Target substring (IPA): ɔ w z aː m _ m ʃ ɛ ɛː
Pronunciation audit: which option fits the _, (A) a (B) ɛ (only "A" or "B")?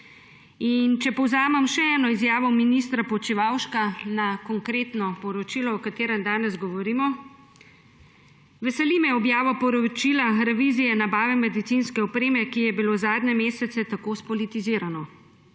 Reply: B